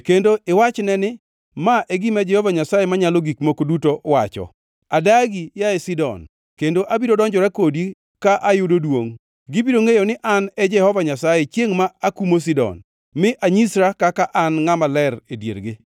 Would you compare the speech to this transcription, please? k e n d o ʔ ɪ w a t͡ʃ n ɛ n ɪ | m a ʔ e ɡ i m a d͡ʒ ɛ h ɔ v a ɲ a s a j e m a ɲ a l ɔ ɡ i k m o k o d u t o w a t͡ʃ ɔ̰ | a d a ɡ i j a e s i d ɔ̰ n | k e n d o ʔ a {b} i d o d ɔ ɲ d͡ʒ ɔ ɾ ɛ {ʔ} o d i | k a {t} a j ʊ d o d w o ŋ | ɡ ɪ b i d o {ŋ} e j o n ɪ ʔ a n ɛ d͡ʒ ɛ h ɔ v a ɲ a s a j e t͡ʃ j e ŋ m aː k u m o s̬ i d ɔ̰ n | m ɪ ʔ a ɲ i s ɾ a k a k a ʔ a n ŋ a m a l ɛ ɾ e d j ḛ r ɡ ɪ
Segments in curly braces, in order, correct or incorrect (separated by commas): correct, incorrect, incorrect, correct